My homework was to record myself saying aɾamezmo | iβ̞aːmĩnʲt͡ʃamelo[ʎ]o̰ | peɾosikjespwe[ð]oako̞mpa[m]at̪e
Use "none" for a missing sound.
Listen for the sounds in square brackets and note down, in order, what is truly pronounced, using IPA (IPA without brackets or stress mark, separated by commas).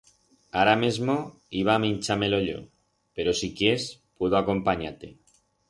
ʎ, ð, ɲ